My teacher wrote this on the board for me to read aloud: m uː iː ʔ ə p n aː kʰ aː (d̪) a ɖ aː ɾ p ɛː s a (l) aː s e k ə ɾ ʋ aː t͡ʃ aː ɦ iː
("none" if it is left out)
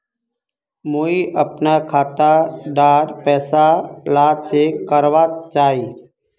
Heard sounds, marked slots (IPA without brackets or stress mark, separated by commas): t̪, l